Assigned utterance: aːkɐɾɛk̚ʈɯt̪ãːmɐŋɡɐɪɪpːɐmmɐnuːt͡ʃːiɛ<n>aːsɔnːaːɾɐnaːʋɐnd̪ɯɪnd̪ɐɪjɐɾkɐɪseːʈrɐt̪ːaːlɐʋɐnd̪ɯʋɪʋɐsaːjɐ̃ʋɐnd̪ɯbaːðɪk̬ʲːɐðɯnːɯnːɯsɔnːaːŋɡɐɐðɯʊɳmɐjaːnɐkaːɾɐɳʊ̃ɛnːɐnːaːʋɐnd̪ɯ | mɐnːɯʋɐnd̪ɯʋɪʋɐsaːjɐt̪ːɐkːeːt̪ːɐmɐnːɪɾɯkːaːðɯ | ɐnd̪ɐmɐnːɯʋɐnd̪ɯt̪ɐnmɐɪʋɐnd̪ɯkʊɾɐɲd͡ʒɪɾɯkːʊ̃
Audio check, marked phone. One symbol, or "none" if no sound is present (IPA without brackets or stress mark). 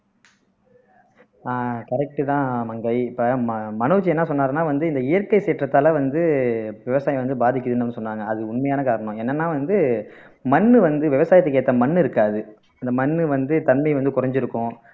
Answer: nː